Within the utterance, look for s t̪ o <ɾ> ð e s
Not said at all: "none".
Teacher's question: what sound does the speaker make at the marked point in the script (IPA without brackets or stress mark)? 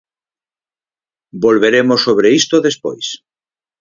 none